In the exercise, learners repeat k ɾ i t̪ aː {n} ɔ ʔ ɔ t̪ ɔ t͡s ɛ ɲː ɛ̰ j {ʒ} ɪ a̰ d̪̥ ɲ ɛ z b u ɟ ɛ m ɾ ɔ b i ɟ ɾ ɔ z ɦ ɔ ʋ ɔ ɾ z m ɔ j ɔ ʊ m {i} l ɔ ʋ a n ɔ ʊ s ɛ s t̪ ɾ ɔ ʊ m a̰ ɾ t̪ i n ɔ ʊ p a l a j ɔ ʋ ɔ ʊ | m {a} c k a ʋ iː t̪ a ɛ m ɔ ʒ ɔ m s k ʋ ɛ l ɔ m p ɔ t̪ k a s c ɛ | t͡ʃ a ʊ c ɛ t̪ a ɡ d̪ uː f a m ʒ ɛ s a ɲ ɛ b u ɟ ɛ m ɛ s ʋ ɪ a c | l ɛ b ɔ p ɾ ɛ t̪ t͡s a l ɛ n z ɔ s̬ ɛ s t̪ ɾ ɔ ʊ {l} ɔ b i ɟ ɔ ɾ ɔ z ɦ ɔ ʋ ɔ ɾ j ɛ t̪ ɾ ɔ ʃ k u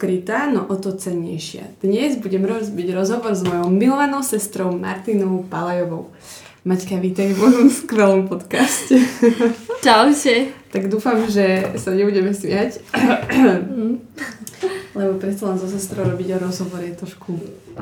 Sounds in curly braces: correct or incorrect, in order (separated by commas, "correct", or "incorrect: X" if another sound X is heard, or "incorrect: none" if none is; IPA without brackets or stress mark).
correct, incorrect: ʃ, correct, correct, incorrect: ɾ